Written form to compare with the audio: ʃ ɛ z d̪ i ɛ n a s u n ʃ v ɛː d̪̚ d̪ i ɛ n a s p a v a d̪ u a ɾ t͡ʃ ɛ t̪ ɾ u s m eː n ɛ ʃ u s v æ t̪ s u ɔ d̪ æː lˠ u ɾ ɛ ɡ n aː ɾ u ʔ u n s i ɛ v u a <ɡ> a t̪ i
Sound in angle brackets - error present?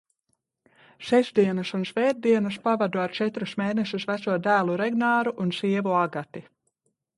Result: no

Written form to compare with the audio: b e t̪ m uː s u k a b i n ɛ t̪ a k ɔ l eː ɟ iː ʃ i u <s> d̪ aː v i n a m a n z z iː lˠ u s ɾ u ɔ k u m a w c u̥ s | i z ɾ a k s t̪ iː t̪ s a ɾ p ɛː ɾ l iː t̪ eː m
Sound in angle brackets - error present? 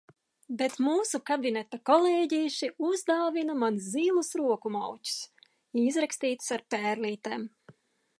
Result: yes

